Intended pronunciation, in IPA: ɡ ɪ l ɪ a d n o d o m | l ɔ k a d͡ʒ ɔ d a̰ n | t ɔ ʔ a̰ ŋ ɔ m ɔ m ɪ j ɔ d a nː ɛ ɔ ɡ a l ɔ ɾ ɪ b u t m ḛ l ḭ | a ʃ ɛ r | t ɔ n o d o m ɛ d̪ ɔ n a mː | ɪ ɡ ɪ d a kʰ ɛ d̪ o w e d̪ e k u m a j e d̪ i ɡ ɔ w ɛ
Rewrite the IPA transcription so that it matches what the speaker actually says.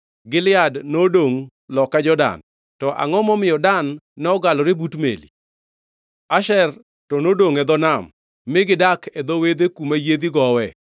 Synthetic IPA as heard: ɡ ɪ l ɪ a d n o d o ŋ | l ɔ k a d͡ʒ ɔ d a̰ n | t ɔ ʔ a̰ ŋ ɔ m ɔ m ɪ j ɔ d a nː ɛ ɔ ɡ a l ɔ ɾ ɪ b u t m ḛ l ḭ | a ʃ ɛ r | t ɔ n o d o ŋ ɛ d̪ ɔ n a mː | ɪ ɡ ɪ d a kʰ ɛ d̪ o w e d̪ e k u m a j e d̪ i ɡ ɔ w ɛ